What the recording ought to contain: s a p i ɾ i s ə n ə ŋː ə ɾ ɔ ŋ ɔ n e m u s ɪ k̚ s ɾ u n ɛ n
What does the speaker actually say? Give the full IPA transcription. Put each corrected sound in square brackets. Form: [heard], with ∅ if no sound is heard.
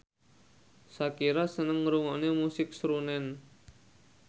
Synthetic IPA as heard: s a [k] i ɾ [a] s ə n ə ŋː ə ɾ [u] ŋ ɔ n e m u s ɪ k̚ s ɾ u n ɛ n